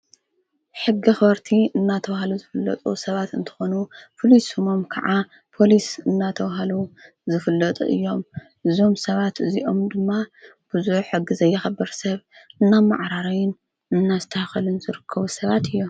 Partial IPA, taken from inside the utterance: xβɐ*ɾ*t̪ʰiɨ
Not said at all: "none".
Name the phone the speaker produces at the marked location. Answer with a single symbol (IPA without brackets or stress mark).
ɾ